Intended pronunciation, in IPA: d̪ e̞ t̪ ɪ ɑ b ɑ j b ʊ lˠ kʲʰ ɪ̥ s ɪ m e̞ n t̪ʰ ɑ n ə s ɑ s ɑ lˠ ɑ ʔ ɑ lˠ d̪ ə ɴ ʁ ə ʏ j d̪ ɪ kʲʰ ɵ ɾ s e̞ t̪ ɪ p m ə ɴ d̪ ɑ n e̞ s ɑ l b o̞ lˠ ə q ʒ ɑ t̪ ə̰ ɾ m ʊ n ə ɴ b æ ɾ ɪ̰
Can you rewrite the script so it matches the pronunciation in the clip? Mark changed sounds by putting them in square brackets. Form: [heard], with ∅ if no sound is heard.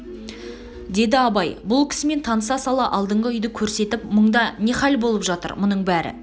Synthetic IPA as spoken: d̪ e̞ [d̪] ɪ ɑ b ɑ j b ʊ lˠ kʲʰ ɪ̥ s ɪ m e̞ n t̪ʰ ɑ n ə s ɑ s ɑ lˠ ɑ ʔ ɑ lˠ d̪ ə ɴ ʁ ə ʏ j d̪ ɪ kʲʰ ɵ ɾ s e̞ t̪ ɪ p m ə ɴ d̪ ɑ n e̞ [χ] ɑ l b o̞ lˠ ə [p] ʒ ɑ t̪ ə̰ ɾ m ʊ n ə ɴ b æ ɾ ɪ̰